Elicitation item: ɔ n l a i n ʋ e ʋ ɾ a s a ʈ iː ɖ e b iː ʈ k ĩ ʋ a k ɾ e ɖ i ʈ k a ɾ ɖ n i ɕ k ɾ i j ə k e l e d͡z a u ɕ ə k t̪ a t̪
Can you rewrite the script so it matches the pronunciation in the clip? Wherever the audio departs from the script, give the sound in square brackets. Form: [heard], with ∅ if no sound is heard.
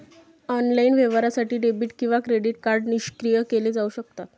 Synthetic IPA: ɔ n l a i n ʋ e ʋ ɾ a s a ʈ iː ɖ e b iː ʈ k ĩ ʋ a k ɾ e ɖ i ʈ k a ɾ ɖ n i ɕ k ɾ i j ə k e l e d͡z a u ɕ ə k t̪ a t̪